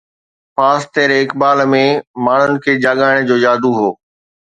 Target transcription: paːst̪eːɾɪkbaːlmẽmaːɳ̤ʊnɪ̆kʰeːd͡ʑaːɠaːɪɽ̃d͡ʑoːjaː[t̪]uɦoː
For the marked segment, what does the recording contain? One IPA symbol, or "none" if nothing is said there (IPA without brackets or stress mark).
d̪